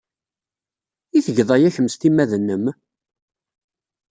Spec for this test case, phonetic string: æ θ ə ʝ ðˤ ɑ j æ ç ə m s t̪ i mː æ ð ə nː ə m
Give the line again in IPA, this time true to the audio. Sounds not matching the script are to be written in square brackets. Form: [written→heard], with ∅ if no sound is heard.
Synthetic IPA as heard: [æ→i] θ ə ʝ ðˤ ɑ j æ ç ə m s t̪ i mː æ ð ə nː ə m

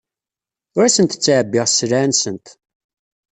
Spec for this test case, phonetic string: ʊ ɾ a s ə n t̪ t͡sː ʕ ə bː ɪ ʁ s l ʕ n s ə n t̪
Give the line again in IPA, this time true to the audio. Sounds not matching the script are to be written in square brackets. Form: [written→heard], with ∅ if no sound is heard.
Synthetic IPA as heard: ʊ ɾ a s ə n t̪ t͡sː ʕ ə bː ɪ ʁ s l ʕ n s ə n t̪

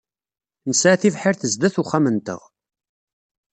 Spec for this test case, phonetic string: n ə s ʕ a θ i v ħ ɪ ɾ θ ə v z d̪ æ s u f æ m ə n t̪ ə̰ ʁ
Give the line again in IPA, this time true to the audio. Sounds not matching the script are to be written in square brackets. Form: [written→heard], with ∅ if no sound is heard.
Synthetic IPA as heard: n ə s ʕ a θ i v ħ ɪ ɾ θ ə [v→∅] z d̪ æ [s→θ] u [f→χ] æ m ə n t̪ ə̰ ʁ

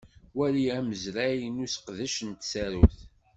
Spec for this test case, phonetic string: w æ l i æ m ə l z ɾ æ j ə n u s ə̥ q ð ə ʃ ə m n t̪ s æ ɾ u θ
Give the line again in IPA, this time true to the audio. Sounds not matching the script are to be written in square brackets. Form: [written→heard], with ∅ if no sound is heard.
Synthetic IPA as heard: w æ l i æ m ə [l→∅] z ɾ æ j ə n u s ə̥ q ð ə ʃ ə [m→∅] n t̪ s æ ɾ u θ

